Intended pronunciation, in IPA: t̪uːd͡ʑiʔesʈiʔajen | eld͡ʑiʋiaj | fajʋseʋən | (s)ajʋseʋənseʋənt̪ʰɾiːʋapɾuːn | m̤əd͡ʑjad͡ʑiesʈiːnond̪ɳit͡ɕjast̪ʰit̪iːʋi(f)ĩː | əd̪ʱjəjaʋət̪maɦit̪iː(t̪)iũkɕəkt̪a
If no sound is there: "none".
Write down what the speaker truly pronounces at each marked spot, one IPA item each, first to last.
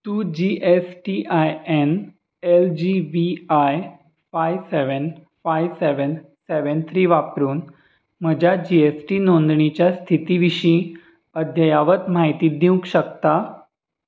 f, ɕ, d̪

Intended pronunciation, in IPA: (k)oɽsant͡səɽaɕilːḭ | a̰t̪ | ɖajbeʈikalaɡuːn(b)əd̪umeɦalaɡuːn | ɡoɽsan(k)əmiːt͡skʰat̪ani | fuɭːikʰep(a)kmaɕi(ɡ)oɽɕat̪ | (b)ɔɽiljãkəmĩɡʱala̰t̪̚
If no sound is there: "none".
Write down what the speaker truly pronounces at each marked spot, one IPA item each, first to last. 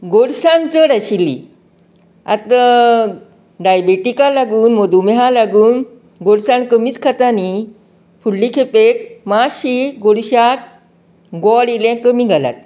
ɡ, m, k, e, ɡ, ɡ

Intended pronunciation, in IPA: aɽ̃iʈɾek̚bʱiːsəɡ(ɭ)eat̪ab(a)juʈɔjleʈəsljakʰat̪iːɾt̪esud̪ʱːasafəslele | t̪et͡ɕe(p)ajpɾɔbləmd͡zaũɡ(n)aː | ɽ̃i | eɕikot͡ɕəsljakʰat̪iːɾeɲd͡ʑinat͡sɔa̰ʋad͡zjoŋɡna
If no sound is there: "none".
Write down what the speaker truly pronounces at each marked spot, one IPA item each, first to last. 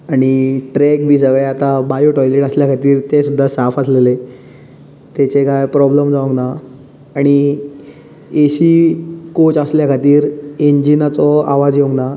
ɭ, a, k, n

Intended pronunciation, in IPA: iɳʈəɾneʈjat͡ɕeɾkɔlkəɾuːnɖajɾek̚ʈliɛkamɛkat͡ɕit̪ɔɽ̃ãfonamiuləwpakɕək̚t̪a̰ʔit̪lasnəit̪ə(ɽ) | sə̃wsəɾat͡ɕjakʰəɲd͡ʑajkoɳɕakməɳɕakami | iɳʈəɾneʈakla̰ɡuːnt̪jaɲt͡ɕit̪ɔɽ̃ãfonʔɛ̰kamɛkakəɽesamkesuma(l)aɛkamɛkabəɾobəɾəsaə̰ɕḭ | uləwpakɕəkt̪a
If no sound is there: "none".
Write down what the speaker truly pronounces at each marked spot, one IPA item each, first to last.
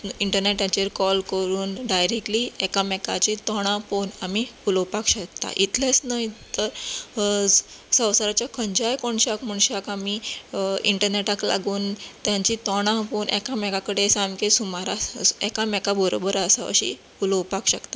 ɾ, ɾ

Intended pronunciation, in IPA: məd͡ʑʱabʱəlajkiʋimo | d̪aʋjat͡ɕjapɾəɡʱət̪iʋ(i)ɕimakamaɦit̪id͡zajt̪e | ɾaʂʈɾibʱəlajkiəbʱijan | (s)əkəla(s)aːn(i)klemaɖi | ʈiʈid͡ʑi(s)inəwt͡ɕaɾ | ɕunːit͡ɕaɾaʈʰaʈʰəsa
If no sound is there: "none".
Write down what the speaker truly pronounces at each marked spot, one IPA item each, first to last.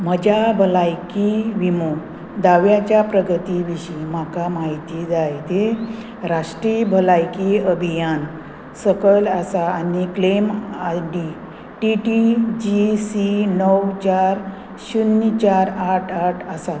i, s, s, i, s

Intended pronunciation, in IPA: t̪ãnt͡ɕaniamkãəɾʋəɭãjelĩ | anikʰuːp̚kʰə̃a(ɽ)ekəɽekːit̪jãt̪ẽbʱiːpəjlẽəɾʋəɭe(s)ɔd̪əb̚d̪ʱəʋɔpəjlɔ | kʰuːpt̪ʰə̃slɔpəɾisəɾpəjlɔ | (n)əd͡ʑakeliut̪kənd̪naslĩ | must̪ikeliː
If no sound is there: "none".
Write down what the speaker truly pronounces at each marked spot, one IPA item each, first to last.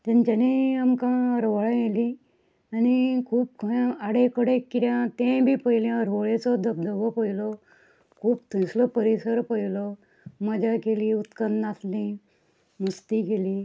ɽ, t͡s, m

